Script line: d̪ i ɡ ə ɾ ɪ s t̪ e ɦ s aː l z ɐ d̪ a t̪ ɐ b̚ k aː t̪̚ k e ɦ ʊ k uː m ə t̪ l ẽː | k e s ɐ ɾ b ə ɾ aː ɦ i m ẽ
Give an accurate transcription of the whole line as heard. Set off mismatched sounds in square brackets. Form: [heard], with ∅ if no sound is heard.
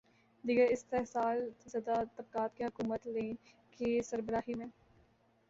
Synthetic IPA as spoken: d̪ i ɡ ə ɾ ɪ s t̪ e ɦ s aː l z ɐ d̪ a t̪ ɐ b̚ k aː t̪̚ k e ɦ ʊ k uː m ə t̪ l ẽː | k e s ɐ ɾ b ə ɾ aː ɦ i m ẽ